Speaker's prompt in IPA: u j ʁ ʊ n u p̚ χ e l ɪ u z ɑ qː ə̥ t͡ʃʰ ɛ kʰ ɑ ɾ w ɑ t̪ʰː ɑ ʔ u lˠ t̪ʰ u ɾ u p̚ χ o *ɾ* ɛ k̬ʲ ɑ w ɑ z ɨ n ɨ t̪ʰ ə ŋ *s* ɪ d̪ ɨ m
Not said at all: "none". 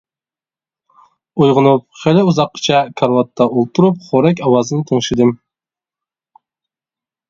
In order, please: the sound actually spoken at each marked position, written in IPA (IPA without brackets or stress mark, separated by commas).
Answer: ɾ, ʃ